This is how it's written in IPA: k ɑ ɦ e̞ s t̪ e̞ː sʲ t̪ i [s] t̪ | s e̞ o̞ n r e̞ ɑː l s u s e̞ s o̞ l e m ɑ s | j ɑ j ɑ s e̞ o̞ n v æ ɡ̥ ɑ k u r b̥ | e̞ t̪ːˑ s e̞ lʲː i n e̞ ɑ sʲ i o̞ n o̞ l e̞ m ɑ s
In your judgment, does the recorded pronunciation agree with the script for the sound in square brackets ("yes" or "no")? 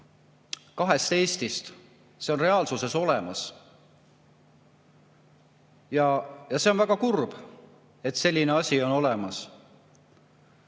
yes